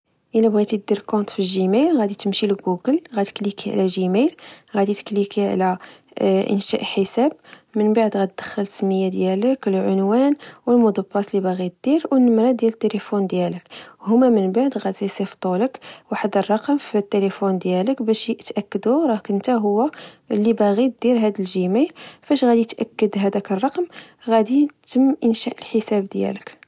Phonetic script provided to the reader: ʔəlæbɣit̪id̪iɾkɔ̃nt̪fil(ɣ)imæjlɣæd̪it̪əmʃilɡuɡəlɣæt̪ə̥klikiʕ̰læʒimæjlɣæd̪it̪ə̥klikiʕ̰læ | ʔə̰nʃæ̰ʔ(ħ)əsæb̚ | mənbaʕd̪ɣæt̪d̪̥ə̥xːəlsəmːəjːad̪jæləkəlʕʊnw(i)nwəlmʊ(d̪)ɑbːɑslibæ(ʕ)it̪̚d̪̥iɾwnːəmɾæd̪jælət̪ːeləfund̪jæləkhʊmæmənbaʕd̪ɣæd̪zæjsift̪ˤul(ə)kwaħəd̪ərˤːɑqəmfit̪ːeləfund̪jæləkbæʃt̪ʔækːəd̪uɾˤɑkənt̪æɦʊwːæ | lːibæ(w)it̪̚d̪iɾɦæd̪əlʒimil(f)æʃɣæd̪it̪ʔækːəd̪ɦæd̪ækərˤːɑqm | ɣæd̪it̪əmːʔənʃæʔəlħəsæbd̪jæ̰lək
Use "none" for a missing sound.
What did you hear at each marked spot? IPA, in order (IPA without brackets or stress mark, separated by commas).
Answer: ʒ, ħ, æ, d̪, ɣ, ə, ɣ, f